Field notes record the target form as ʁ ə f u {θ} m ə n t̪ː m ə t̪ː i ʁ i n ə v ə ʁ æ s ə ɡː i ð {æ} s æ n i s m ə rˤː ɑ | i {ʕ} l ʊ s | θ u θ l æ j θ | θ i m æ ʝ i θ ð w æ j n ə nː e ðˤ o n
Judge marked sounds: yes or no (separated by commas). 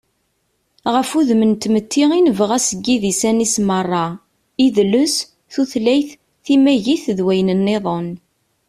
no, no, no